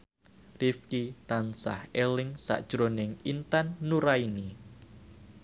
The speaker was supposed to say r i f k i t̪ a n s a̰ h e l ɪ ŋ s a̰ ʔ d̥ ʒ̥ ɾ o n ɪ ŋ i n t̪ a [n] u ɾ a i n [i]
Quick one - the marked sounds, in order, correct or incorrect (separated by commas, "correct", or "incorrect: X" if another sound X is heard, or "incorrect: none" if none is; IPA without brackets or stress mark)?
incorrect: nː, correct